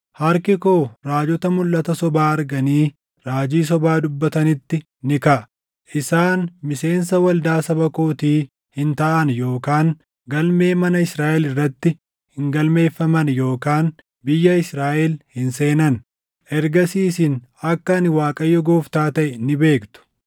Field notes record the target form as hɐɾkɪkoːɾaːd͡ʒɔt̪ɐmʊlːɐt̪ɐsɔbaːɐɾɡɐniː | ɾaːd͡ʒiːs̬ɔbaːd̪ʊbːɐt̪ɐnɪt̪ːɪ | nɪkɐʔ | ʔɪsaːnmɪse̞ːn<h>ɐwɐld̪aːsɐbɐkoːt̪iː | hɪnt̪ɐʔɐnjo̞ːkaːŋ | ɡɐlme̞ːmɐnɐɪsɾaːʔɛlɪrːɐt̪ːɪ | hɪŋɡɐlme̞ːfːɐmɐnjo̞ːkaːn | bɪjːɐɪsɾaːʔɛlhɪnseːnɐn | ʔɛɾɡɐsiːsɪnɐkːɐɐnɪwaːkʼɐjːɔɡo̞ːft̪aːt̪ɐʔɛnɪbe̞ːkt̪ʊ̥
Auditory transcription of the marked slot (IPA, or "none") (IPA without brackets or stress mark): s